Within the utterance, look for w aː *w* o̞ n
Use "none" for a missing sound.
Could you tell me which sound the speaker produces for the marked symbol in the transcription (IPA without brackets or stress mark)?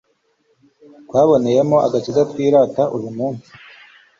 β